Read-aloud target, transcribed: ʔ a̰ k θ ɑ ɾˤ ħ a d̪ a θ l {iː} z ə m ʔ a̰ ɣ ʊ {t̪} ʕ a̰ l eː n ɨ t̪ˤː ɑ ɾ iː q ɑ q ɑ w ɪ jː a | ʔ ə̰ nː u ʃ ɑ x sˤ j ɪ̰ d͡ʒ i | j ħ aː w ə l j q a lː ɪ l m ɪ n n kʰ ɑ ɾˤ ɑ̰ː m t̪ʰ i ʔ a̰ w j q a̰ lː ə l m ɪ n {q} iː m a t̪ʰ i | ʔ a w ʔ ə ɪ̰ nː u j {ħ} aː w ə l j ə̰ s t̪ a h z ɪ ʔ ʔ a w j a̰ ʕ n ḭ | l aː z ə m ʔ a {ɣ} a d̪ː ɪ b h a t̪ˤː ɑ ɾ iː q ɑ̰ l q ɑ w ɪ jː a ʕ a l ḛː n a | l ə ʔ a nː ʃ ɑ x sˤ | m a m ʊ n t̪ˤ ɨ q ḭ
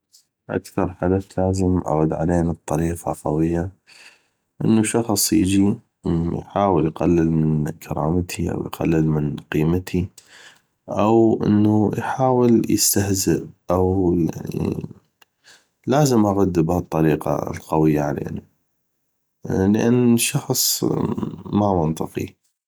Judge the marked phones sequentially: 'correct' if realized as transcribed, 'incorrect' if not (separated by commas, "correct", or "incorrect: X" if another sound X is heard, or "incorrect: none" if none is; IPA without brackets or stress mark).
incorrect: aː, incorrect: d̪, correct, correct, correct